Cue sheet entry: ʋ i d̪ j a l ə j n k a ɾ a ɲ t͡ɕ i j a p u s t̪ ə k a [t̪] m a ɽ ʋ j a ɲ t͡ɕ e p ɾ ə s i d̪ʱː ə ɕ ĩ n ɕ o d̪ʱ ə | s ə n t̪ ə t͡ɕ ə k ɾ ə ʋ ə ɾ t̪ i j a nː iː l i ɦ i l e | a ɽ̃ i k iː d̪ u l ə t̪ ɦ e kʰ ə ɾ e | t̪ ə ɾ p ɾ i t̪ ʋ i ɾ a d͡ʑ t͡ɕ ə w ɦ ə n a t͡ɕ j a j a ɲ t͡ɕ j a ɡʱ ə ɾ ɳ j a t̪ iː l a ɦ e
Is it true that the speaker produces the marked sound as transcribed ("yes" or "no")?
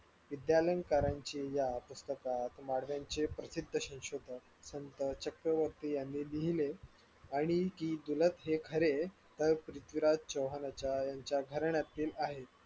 yes